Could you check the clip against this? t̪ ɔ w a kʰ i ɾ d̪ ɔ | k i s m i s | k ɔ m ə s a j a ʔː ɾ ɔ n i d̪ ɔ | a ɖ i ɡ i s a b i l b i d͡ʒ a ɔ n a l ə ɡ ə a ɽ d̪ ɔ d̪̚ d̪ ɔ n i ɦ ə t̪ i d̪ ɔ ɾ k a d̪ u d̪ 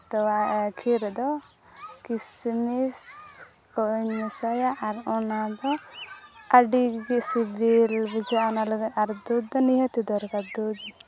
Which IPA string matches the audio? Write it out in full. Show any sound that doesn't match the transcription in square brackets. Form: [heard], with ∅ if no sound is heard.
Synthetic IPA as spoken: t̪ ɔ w a kʰ i ɾ d̪ ɔ | k i s m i s | k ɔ [ɲ] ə s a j a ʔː ɾ ɔ n [a] d̪ ɔ | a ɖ i ɡ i s [i] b i l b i d͡ʒ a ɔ n a l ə ɡ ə a [ɾ] d̪ [u] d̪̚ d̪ ɔ n i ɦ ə t̪ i d̪ ɔ ɾ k a d̪ u d̪